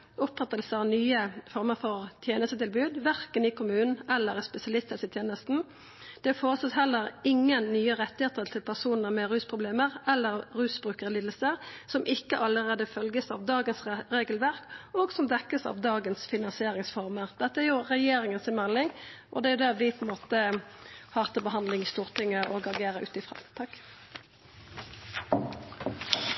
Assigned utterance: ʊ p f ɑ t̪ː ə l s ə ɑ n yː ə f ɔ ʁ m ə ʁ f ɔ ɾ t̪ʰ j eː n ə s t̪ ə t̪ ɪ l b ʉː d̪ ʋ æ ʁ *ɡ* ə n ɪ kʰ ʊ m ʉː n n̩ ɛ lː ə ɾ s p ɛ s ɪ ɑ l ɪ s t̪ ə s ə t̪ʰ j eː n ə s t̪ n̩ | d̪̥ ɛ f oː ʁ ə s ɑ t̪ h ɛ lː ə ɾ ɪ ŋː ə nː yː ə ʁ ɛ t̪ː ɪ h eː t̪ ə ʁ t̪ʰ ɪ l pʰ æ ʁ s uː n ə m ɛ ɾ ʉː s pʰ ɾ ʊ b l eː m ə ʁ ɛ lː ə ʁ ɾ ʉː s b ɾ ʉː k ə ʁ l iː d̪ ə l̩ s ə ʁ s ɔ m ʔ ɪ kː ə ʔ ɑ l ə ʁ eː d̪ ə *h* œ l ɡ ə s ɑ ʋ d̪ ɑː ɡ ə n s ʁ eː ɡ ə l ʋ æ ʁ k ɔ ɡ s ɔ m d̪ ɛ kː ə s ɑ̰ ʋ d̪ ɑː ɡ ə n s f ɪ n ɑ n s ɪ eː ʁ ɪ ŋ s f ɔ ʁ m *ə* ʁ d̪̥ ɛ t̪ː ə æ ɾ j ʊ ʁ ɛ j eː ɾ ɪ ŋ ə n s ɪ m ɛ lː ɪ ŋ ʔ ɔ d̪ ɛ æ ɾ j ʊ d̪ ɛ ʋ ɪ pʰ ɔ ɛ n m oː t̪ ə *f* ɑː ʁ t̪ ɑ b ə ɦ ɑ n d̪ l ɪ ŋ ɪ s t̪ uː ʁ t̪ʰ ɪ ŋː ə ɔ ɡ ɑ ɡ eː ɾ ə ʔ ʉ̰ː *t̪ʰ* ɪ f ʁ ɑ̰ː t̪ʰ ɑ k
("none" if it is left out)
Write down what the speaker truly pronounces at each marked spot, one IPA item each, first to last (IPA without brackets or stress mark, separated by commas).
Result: k, f, ə, h, t̪